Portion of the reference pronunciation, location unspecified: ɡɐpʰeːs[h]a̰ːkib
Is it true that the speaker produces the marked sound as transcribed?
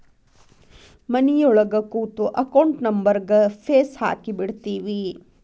yes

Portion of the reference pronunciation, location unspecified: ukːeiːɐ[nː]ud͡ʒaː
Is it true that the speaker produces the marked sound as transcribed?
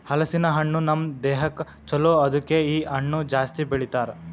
no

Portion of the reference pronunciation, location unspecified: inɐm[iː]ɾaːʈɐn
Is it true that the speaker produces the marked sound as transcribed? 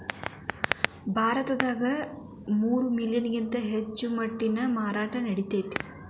no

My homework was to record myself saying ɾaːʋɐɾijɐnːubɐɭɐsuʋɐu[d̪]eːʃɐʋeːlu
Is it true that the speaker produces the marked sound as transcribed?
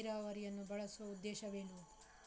no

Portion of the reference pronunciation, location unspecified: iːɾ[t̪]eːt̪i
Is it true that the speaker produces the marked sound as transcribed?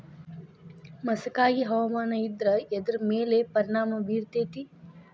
yes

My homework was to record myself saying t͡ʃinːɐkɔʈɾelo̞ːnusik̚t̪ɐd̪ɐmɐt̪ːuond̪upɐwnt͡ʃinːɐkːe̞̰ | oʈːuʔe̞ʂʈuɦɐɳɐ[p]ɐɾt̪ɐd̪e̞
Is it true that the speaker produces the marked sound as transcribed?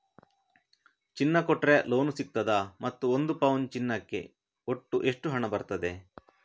no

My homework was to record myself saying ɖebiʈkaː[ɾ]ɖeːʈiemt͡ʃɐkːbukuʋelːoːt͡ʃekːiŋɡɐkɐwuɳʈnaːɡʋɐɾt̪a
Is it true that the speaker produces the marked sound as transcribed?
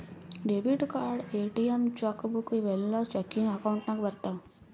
yes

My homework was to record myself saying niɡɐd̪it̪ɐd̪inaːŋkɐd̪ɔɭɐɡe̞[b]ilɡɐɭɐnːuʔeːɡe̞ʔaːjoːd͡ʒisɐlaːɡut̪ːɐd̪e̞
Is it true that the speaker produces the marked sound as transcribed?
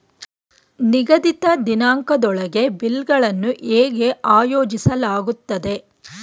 yes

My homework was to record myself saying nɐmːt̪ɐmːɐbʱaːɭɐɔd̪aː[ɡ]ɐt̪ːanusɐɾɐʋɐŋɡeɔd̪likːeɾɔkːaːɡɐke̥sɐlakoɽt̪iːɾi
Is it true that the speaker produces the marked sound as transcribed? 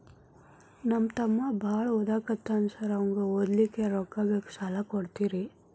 no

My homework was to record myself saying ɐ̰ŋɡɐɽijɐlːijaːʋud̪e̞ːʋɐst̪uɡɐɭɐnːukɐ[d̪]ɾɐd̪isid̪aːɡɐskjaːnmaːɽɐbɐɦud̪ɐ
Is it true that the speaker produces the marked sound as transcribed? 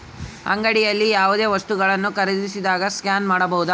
no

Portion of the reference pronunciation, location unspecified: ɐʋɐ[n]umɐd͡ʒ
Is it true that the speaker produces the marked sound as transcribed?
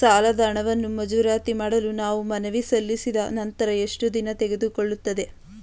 no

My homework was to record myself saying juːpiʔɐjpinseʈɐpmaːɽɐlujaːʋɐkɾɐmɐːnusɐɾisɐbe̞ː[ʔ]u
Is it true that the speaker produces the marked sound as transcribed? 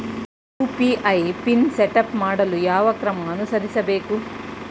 no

